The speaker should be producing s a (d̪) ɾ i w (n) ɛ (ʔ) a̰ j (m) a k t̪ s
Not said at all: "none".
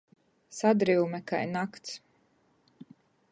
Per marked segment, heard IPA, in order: d̪, m, k, n

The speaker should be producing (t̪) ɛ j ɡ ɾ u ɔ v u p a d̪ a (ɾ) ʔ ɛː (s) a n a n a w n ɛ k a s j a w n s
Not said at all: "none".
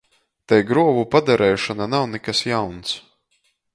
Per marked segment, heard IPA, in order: t̪, ɾ, ʃ

